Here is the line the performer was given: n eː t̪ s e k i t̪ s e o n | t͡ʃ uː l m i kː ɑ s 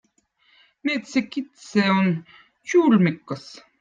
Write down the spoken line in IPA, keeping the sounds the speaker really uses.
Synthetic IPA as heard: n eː t̪ s e k i t̪ s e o n | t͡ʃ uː l m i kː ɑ s

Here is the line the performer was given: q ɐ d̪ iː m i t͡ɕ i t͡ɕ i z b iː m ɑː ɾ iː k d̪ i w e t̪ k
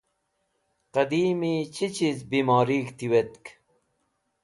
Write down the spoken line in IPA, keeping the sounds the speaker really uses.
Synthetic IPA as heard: q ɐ d̪ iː m i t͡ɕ i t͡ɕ i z b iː m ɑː ɾ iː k t̪ i w e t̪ k

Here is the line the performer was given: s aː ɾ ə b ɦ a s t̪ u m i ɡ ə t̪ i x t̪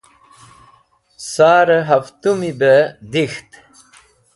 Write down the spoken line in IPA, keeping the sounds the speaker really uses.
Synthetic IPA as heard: s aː ɾ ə ɦ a f t̪ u m i b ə d̪ i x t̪

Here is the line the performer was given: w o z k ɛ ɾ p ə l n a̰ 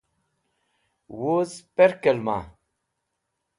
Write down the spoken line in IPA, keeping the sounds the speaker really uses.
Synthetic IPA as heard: w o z p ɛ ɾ k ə l m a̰

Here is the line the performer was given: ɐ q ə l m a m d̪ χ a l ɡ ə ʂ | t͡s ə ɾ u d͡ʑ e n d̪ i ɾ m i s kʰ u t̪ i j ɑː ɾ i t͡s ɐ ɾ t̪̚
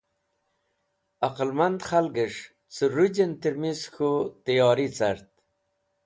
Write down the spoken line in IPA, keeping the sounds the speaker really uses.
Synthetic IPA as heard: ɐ q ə l m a n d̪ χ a l ɡ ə ʂ | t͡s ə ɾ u d͡ʑ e n t̪ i ɾ m i s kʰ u t̪ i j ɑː ɾ i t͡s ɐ ɾ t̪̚

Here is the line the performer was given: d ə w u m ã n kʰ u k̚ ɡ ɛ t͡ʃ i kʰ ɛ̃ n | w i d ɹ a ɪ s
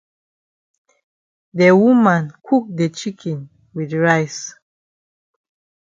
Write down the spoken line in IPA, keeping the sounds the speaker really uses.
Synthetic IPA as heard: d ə w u m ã n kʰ u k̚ d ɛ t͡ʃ i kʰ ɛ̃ n | w i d ɹ a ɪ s

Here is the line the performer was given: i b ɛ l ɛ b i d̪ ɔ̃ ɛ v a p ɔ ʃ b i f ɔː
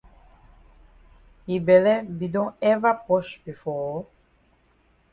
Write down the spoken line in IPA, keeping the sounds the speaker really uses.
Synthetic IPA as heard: i b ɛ l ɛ b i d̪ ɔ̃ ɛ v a p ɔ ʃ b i f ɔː

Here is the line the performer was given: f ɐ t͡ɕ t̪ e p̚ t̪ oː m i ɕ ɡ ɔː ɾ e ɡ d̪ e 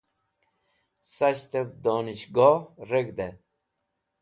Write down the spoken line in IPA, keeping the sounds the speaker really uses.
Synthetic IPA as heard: s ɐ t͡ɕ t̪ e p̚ d̪ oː n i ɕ ɡ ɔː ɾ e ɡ d̪ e

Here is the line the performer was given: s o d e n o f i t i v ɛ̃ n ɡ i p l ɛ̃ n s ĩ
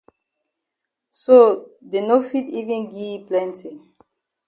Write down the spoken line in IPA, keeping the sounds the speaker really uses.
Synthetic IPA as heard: s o d e n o f i t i v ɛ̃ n ɡ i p l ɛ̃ n t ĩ

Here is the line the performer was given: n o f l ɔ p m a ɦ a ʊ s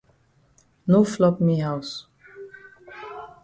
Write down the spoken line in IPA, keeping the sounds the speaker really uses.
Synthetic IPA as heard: n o f l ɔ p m i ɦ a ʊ s

